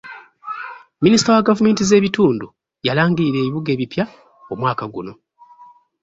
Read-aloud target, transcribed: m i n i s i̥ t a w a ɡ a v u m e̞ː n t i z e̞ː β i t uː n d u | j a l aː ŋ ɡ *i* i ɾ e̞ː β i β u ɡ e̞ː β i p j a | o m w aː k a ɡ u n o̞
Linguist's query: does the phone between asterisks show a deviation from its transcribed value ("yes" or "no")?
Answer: no